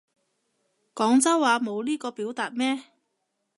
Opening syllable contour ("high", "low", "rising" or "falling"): rising